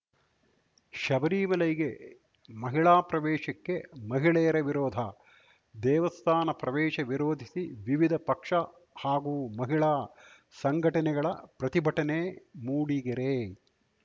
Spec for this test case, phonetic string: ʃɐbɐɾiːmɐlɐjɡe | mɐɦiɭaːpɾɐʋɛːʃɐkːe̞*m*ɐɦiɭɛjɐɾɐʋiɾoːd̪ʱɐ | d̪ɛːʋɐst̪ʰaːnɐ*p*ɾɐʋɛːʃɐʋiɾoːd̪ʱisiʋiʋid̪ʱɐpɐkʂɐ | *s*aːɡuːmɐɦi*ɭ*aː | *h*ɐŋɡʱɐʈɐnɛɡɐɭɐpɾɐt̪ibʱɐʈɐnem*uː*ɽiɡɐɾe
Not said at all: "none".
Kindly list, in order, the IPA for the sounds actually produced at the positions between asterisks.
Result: m, p, h, ɭ, s, uː

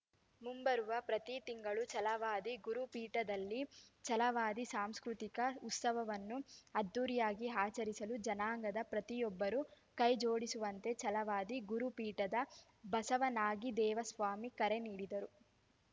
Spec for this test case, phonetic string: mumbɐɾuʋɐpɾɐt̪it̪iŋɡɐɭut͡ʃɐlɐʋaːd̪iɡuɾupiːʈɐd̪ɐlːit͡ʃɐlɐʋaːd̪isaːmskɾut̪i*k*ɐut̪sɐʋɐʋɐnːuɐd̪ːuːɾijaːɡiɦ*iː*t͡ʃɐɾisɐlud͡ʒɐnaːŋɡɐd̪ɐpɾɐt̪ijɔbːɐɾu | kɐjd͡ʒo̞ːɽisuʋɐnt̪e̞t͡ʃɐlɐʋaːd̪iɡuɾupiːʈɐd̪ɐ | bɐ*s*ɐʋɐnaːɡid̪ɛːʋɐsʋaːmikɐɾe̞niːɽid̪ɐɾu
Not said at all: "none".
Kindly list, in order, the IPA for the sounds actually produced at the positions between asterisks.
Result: k, aː, s

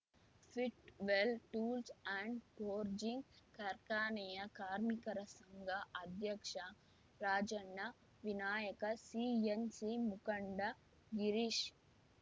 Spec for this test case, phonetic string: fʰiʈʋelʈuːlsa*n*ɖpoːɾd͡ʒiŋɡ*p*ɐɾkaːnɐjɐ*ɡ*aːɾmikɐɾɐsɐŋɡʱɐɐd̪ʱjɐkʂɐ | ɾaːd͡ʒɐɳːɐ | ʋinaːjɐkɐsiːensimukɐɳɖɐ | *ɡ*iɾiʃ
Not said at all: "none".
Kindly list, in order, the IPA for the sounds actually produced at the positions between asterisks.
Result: ɳ, k, k, ɡ

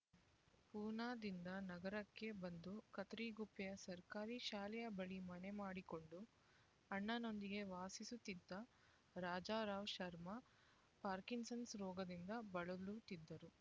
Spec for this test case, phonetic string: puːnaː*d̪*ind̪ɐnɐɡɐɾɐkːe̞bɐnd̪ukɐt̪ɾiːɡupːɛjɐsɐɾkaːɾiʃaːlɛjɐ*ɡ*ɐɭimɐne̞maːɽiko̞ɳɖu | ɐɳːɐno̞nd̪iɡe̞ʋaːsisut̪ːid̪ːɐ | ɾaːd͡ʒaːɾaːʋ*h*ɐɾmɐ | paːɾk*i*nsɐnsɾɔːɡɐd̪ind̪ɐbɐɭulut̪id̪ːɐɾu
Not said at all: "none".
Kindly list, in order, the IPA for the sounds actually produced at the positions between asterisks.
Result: d̪, b, ʃ, i

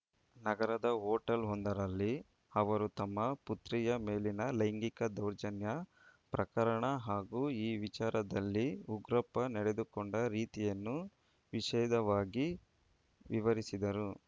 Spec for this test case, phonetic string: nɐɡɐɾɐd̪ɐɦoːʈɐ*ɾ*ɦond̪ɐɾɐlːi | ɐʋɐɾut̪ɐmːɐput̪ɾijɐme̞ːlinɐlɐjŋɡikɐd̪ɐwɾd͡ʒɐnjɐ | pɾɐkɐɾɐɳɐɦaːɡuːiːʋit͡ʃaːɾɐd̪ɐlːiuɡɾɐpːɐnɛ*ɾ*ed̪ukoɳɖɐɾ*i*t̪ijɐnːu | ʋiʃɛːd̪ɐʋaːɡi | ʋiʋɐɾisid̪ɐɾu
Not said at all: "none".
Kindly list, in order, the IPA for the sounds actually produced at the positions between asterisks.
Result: l, ɽ, iː

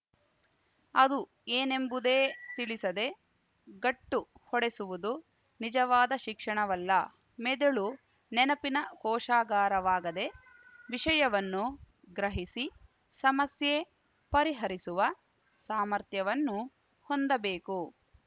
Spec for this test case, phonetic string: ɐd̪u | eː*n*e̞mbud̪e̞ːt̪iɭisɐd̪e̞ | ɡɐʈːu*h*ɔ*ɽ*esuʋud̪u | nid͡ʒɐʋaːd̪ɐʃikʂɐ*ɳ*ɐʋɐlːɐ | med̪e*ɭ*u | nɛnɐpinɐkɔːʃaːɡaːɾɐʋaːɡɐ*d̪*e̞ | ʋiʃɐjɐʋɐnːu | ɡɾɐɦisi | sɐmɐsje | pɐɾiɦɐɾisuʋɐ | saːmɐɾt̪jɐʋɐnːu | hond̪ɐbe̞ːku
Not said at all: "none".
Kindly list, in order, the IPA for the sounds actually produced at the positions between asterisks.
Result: n, h, ɽ, ɳ, ɭ, d̪

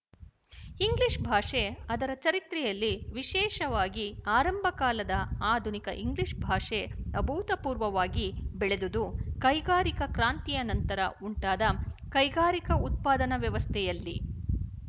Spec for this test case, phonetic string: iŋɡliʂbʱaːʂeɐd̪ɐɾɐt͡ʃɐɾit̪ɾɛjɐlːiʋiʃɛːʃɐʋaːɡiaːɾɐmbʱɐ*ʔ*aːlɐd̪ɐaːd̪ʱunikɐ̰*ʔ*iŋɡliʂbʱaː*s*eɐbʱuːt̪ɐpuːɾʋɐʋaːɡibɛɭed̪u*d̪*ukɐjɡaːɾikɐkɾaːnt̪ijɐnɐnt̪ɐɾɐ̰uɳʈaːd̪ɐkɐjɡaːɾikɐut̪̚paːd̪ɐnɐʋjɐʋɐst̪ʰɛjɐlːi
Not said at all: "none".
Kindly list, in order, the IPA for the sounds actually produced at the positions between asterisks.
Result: k, ʔ, ʂ, d̪

